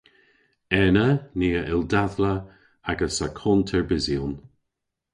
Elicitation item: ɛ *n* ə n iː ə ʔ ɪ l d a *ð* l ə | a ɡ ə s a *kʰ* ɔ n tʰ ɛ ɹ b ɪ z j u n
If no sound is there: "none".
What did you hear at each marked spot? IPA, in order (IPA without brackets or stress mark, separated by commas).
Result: n, ð, kʰ